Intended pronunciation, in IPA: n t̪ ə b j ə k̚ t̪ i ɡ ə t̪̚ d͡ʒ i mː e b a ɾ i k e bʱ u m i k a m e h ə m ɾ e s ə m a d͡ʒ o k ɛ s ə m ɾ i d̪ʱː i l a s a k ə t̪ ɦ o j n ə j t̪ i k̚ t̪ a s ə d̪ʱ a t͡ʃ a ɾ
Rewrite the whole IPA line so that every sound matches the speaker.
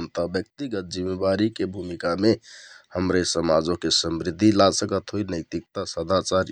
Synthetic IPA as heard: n t̪ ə b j ə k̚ t̪ i ɡ ə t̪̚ d͡ʒ i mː e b a ɾ i k e bʱ u m i k a m e h ə m ɾ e s ə m a d͡ʒ o k e s ə m ɾ i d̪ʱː i l a s ə k ə t̪ ɦ o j n ə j t̪ i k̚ t̪ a s ə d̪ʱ a t͡ʃ a ɾ